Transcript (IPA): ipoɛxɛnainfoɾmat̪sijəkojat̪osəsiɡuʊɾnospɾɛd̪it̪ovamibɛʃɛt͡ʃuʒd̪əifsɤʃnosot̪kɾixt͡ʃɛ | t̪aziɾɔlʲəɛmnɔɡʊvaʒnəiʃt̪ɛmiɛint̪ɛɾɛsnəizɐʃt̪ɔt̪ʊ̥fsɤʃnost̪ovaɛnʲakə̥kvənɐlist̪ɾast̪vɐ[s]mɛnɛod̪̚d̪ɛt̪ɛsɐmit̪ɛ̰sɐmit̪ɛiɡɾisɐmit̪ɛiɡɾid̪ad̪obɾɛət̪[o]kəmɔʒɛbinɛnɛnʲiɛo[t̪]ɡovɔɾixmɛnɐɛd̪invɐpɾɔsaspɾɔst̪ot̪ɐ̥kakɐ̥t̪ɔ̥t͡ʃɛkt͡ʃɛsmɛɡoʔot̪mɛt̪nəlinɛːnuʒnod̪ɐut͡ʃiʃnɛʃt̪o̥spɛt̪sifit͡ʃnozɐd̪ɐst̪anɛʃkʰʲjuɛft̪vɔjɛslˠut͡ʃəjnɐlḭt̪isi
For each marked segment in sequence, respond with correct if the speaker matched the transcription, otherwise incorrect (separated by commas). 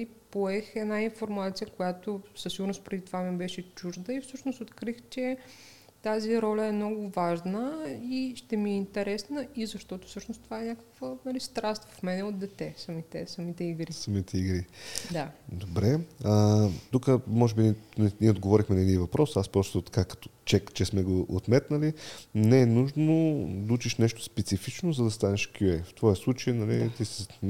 incorrect, incorrect, incorrect